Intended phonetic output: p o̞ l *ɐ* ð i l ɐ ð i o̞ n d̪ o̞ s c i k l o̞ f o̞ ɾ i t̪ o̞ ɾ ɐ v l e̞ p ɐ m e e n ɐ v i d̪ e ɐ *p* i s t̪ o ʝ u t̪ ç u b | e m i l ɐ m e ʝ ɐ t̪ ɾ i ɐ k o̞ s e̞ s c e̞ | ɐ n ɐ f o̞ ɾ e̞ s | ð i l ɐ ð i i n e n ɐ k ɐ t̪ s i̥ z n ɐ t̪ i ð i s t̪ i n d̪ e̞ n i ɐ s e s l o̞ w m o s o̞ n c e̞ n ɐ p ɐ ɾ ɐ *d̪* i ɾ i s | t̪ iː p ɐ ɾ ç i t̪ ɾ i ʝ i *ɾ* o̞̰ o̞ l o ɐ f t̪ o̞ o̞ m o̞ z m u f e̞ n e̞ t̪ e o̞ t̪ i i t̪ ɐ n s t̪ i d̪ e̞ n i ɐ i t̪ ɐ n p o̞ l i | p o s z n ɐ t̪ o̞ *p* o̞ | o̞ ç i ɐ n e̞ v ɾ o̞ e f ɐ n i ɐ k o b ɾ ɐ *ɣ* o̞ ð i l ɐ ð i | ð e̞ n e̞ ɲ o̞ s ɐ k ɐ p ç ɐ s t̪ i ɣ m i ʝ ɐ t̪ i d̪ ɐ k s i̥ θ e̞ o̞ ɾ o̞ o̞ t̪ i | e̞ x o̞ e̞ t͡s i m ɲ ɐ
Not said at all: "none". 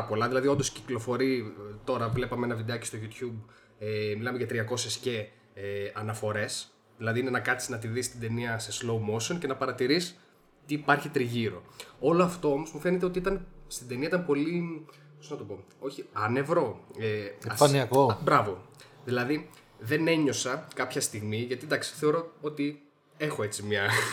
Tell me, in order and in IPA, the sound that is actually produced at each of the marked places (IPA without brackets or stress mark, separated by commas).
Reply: ɐ, c, t̪, ɾ, p, v